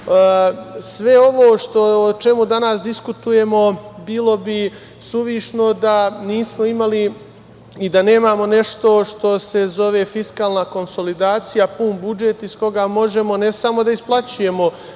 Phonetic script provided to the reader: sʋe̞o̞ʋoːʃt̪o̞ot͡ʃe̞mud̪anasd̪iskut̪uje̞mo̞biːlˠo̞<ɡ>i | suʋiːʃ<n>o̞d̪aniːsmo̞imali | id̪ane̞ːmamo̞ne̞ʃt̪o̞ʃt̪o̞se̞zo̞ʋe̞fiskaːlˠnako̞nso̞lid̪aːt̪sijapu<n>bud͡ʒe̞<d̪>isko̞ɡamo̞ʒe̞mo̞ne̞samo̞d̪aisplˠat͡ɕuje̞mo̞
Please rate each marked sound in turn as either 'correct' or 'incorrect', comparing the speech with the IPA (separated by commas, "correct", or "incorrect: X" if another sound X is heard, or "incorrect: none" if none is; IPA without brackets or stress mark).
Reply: incorrect: b, correct, correct, incorrect: t̪